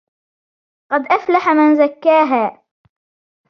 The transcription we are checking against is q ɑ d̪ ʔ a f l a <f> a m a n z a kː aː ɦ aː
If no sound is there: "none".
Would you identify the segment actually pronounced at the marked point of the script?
ħ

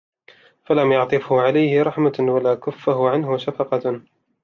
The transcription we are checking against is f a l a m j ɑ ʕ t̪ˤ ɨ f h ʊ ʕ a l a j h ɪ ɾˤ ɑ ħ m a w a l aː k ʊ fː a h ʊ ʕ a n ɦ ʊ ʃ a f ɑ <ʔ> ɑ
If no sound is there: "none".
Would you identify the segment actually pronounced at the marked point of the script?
q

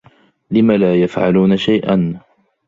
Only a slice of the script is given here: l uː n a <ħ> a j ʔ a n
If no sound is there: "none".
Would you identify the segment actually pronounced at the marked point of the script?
ʃ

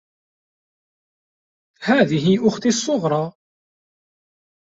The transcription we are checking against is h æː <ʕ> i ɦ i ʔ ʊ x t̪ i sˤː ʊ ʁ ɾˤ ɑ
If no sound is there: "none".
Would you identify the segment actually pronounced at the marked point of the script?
ð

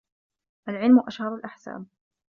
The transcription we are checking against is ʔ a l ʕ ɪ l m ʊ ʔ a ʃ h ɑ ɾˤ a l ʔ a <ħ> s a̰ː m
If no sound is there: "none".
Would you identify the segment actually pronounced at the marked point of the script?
ħ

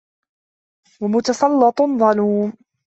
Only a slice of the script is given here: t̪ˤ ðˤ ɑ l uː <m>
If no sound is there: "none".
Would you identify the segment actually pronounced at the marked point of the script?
m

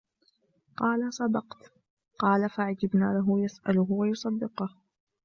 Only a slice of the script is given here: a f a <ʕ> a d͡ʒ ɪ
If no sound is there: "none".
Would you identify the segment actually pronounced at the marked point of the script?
ʕ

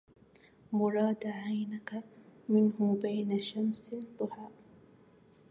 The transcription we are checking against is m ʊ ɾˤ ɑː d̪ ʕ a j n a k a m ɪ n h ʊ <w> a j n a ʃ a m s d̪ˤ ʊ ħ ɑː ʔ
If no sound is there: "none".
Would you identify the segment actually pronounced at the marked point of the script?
b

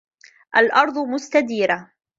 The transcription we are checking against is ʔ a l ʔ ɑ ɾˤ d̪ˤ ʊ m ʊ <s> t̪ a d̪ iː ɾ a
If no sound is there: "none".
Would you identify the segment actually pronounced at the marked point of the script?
s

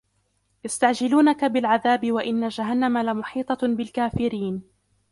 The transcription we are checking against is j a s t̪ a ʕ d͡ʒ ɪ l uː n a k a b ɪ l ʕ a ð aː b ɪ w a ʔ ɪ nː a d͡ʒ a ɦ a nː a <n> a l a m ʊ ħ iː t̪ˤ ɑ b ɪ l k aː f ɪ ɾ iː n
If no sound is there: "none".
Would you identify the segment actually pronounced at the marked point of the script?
m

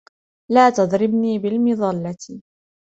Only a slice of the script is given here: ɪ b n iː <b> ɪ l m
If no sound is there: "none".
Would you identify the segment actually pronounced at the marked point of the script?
b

